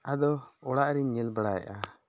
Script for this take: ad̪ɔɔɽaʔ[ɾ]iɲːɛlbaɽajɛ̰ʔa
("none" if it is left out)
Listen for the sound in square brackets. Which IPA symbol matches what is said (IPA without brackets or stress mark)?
ɾ